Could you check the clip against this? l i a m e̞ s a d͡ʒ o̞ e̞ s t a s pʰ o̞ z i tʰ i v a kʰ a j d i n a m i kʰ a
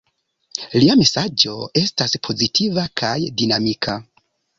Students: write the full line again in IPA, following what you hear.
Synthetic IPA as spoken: l i a m e̞ s a d͡ʒ o̞ e̞ s t a s pʰ o̞ z i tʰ i v a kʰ a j d i n a m i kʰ a